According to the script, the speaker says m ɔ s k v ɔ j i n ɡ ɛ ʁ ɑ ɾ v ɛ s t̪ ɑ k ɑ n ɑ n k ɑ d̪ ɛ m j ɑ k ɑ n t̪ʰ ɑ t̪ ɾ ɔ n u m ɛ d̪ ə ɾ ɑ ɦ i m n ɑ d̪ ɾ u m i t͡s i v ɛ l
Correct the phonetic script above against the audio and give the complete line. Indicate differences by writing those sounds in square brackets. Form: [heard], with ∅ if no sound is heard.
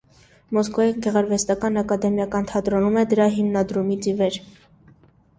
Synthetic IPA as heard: m ɔ s k v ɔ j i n ɡ ɛ ʁ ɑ ɾ v ɛ s t̪ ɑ k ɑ n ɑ [∅] k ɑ d̪ ɛ m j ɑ k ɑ n t̪ʰ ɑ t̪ ɾ ɔ n u m ɛ d̪ ə ɾ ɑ ɦ i m n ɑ d̪ ɾ u m i t͡s i v ɛ [ɾ]